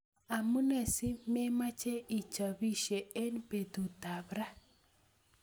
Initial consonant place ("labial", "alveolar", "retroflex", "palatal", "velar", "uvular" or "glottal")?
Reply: labial